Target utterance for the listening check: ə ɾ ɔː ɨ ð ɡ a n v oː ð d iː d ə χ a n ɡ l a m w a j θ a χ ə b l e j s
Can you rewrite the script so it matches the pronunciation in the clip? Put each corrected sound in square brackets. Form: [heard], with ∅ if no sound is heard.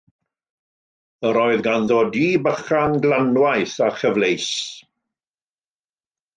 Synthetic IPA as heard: ə ɾ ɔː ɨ ð ɡ a n [ð] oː [∅] d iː [b] ə χ a n ɡ l a [n] w a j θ a χ ə [v] l e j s